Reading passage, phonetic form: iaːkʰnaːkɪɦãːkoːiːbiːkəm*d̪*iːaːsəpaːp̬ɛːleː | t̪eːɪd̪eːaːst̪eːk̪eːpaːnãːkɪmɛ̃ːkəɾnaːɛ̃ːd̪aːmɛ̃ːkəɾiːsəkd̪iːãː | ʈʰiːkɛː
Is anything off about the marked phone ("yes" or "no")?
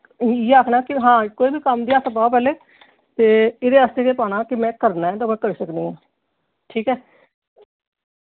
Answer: no